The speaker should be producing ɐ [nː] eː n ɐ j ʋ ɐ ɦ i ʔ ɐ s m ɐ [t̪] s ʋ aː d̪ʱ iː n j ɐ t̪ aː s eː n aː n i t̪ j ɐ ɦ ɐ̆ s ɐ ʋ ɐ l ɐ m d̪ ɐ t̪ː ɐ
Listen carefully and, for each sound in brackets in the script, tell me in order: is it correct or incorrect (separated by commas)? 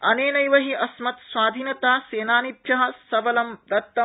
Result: incorrect, correct